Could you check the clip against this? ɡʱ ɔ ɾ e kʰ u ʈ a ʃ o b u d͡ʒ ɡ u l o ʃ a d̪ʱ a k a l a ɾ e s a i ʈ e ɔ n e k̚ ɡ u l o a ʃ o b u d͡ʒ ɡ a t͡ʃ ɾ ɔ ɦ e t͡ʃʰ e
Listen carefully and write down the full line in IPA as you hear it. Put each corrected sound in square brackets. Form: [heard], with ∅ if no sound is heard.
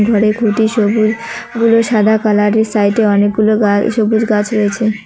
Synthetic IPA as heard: ɡʱ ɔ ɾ e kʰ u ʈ [i] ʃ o b u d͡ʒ ɡ u l o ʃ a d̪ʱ a k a l a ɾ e s a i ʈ e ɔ n e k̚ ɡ u l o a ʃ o b u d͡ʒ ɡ a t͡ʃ ɾ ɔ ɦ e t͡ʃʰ e

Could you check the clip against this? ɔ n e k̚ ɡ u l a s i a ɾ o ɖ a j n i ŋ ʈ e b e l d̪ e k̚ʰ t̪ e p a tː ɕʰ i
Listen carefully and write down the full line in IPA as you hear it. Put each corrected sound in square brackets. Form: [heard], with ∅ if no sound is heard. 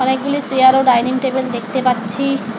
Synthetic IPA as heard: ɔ n e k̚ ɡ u l [i] s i a ɾ o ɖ a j n i ŋ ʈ e b e l d̪ e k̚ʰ t̪ e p a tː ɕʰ i

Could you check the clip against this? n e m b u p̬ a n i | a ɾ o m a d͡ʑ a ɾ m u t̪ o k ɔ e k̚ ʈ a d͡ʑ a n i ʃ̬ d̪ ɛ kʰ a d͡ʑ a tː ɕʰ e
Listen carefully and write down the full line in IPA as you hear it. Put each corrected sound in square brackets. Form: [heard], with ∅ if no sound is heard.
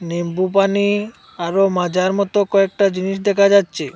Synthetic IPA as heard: n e m b u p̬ a n i | a ɾ o m a d͡ʑ a ɾ m [ɔ] t̪ o k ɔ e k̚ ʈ a d͡ʑ [i] n i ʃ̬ d̪ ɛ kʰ a d͡ʑ a tː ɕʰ e

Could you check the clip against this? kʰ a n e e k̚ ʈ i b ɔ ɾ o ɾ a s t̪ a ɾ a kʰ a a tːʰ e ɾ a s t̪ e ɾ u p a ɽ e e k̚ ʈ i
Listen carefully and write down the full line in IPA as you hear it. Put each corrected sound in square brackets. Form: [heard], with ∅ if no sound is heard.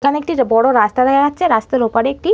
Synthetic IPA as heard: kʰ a n e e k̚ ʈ i b ɔ [ɽ] o ɾ a s t̪ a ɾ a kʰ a a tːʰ e ɾ a s t̪ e ɾ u p a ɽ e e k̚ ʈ i

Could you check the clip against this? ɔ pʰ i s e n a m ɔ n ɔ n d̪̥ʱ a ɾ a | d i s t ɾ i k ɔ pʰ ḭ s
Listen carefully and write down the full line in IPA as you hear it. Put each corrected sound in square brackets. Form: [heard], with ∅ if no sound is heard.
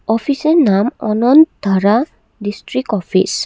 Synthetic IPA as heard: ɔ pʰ i s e n a m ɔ n ɔ n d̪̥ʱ a ɾ a | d i s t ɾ i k ɔ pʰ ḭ s

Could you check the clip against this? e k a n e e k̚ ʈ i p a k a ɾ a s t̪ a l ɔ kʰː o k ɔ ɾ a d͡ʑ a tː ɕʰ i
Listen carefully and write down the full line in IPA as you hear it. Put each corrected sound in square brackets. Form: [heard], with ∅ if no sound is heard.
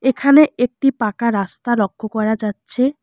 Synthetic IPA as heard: e [kʰ] a n e e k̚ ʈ i p a k a ɾ a s t̪ a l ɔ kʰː o k ɔ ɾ a d͡ʑ a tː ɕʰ [e]

